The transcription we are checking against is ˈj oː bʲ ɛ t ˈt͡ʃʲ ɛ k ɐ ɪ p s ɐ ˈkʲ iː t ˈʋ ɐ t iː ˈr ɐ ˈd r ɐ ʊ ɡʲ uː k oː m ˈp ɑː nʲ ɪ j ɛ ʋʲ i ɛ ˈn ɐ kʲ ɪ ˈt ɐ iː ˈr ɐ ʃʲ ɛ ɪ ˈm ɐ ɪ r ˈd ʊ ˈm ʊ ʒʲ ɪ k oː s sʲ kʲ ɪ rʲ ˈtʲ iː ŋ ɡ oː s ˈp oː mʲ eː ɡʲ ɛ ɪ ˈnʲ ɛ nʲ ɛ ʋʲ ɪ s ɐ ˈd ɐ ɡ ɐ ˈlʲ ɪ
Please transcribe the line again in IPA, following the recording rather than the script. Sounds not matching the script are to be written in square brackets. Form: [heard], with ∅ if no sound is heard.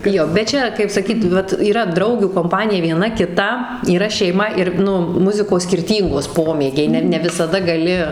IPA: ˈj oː bʲ ɛ t ˈt͡ʃʲ ɛ k ɐ ɪ p s ɐ ˈkʲ iː t ˈʋ ɐ t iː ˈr ɐ ˈd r ɐ ʊ ɡʲ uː k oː m ˈp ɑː nʲ ɪ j ɛ ʋʲ i ɛ ˈn ɐ kʲ ɪ ˈt ɐ iː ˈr ɐ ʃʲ ɛ ɪ ˈm ɐ ɪ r [ˈn] ʊ ˈm ʊ [zʲ] ɪ k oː s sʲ kʲ ɪ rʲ ˈtʲ iː ŋ ɡ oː s ˈp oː mʲ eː ɡʲ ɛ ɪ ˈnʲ ɛ nʲ ɛ ʋʲ ɪ s ɐ ˈd ɐ ɡ ɐ ˈlʲ ɪ